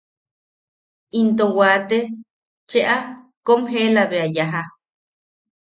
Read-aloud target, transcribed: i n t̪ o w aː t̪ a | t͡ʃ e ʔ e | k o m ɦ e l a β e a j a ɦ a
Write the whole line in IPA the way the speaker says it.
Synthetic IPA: i n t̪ o w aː t̪ e | t͡ʃ e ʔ a | k o m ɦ e l a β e a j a ɦ a